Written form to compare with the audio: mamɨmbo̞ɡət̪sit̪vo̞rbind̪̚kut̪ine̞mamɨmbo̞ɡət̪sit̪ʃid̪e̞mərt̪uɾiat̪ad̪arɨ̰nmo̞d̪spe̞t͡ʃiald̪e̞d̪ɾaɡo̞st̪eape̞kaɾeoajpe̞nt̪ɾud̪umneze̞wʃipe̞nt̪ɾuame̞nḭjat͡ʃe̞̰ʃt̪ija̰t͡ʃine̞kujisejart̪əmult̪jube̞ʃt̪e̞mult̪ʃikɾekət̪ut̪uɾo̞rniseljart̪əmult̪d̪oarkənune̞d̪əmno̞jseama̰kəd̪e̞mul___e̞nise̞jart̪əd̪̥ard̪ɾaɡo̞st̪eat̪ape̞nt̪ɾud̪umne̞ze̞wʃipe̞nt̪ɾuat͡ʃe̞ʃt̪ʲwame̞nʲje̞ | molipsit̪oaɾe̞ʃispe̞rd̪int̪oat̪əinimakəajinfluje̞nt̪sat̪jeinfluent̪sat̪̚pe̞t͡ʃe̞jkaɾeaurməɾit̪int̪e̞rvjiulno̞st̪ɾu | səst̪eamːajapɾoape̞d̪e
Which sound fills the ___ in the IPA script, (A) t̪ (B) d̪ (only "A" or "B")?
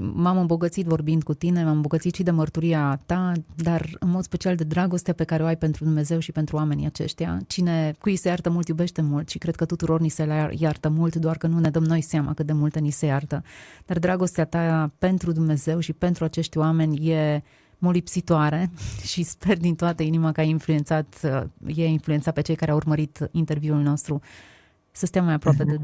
A